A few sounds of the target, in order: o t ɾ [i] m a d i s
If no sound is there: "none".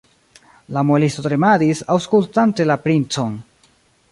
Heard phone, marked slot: e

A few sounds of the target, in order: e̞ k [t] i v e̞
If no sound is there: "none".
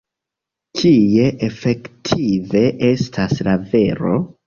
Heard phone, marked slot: tʰ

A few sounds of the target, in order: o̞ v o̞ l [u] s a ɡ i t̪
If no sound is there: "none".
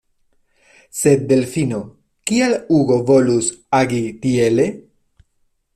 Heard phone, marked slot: u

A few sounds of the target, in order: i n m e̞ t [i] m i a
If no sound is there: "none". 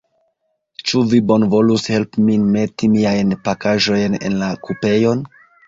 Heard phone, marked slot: i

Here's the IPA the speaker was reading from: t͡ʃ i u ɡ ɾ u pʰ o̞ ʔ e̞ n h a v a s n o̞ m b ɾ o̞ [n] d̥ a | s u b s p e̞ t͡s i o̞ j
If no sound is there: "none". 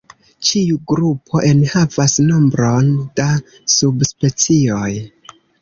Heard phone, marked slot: n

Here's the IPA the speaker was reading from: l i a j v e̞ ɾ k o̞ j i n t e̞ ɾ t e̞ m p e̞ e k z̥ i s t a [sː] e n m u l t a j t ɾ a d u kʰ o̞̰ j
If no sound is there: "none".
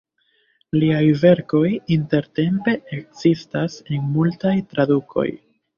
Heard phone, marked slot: s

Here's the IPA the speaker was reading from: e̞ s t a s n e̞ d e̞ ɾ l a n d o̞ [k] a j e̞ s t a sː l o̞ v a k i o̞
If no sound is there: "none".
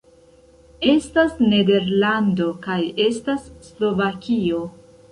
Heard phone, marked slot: k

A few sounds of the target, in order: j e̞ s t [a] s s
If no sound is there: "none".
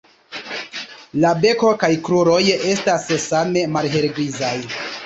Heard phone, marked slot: a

